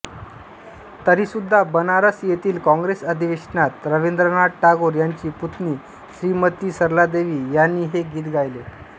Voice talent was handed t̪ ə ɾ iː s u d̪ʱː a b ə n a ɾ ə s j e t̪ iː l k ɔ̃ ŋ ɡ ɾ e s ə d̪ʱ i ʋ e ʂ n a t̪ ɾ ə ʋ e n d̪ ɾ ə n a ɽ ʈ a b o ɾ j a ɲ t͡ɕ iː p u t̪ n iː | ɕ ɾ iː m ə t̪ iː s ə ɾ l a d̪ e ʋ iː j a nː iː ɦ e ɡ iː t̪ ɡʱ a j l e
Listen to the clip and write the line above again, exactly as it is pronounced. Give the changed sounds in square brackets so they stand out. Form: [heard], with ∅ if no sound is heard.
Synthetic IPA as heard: t̪ ə ɾ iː s u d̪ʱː a b ə n a ɾ ə s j e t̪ iː l k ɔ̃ ŋ ɡ ɾ e s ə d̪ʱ i ʋ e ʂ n a t̪ ɾ ə ʋ e n d̪ ɾ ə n a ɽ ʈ a [ɡ] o ɾ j a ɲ t͡ɕ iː p u t̪ n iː | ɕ ɾ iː m ə t̪ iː s ə ɾ l a d̪ e ʋ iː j a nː iː ɦ e ɡ iː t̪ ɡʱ a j l e

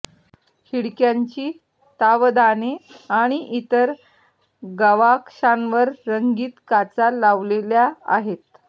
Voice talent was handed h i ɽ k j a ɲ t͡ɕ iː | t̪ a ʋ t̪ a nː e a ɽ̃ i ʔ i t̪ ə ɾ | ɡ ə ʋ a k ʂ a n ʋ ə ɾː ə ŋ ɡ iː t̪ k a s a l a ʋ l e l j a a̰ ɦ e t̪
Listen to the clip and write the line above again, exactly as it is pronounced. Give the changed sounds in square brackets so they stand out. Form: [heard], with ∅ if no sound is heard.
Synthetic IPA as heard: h i ɽ k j a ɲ t͡ɕ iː | t̪ a ʋ [d̪] a [n] e a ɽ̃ i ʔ i t̪ ə ɾ | ɡ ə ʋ a k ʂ a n ʋ ə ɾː ə ŋ ɡ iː t̪ k a [t͡s] a l a ʋ l e l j a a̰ ɦ e t̪

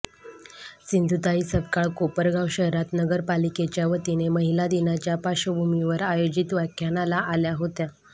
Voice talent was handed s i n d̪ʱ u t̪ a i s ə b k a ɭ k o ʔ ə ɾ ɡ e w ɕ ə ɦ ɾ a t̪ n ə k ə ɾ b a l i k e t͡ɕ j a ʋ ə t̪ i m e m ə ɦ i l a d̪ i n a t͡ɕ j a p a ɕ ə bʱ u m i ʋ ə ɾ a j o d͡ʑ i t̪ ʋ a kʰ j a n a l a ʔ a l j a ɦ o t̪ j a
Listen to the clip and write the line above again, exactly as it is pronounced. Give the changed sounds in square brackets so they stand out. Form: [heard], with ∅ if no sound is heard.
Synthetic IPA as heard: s i n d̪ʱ u t̪ a i s ə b k a ɭ k o [p] ə ɾ ɡ [a] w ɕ ə ɦ ɾ a t̪ n ə [ɡ] ə ɾ [p] a l i k e t͡ɕ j a ʋ ə t̪ i [n] e m ə ɦ i l a d̪ i n a t͡ɕ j a p a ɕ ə bʱ u m i ʋ ə ɾ a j o d͡ʑ i t̪ ʋ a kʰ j a n a l a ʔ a l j a ɦ o t̪ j a

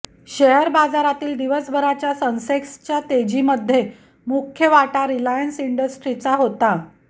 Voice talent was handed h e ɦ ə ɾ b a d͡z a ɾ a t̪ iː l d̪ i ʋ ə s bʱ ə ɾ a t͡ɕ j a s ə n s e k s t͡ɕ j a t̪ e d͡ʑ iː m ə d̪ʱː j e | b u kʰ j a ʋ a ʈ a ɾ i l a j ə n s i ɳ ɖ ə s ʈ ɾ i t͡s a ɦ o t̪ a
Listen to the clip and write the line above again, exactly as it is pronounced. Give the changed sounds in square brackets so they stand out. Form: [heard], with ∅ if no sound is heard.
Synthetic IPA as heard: [ɕ] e ɦ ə ɾ b a d͡z a ɾ a t̪ iː l d̪ i ʋ ə s bʱ ə ɾ a t͡ɕ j a s ə n s e k s t͡ɕ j a t̪ e d͡ʑ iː m ə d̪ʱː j e | [m] u kʰ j [ə] ʋ a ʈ a ɾ i l a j ə n s i ɳ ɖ ə s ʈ ɾ i t͡s a ɦ o t̪ a

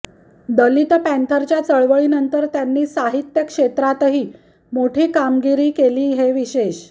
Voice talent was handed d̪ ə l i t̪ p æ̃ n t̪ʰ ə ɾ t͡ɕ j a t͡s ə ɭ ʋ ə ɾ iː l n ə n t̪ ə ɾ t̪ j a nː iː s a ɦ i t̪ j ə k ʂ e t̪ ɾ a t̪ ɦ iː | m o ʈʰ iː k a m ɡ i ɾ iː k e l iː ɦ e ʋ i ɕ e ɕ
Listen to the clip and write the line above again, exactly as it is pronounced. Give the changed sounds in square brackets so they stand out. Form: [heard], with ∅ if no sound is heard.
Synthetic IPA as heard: d̪ ə l i t̪ p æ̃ n t̪ʰ ə ɾ t͡ɕ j a t͡s ə ɭ ʋ ə [ɭ] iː [∅] n ə n t̪ ə ɾ t̪ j a nː iː s a ɦ i t̪ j ə k ʂ e t̪ ɾ a t̪ ɦ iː | m o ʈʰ iː k a m ɡ i ɾ iː k e l iː ɦ e ʋ i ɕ e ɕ

